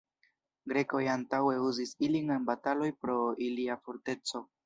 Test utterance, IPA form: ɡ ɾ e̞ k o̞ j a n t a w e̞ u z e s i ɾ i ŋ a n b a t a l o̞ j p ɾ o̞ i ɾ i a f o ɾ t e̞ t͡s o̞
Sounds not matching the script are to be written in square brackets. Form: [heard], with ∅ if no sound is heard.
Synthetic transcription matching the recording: ɡ ɾ e̞ k o̞ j a n t a w e̞ u z [i] s i [l] i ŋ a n b a t a l o̞ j p ɾ o̞ i [l] i a f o ɾ t e̞ t͡s o̞